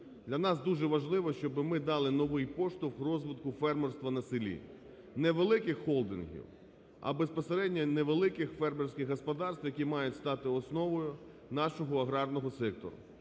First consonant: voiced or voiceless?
voiced